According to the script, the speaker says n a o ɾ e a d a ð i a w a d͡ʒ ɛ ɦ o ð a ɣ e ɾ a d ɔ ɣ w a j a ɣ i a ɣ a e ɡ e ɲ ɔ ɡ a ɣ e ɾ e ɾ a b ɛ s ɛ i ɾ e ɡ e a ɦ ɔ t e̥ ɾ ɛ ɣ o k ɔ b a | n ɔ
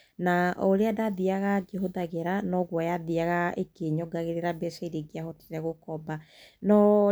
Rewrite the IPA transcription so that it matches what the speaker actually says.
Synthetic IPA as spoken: n a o ɾ e a d a ð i a ɣ a d͡ʒ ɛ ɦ o ð a ɣ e ɾ a n ɔ ɣ w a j a ð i a ɣ a e k e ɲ ɔ ɡ a ɣ e ɾ e ɾ a b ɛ s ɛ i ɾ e ɡ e a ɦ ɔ t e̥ ɾ ɛ ɣ o k ɔ b a | n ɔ